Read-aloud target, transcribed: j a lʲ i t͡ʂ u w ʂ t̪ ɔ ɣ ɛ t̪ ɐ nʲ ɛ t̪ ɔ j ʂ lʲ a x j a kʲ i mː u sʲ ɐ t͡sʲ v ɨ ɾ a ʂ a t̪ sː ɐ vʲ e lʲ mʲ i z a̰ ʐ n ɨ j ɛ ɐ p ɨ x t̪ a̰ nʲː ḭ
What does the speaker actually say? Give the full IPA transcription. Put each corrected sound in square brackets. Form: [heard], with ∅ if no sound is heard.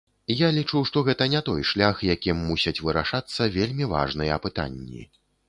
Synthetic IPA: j a lʲ i t͡ʂ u w ʂ t̪ ɔ ɣ ɛ t̪ ɐ nʲ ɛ t̪ ɔ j ʂ lʲ a x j a kʲ i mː u sʲ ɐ t͡sʲ v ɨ ɾ a ʂ a t̪ sː ɐ vʲ e lʲ mʲ i [v] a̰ ʐ n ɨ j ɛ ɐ p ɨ [∅] t̪ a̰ nʲː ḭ